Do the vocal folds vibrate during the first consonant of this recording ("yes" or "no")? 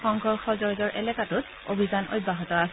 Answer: yes